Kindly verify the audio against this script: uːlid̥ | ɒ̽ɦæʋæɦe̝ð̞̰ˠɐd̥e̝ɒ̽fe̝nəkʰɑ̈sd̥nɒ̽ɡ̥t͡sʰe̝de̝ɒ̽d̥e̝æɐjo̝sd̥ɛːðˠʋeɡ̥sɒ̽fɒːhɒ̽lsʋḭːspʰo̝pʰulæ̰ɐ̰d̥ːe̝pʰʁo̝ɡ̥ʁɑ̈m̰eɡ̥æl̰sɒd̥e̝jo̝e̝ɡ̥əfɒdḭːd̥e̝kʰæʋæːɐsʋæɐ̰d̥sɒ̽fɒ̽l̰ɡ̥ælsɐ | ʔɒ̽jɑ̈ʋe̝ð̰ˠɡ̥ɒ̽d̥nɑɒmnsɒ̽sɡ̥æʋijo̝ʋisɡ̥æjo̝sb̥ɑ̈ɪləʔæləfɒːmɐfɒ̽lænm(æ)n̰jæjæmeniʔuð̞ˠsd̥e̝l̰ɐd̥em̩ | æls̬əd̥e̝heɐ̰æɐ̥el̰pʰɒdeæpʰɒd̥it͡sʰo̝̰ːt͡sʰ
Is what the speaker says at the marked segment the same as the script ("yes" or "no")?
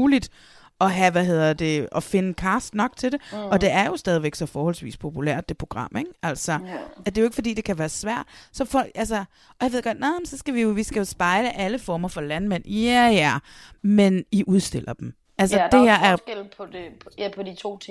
no